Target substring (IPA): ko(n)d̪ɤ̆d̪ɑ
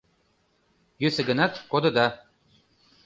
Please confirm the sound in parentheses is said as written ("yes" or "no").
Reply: no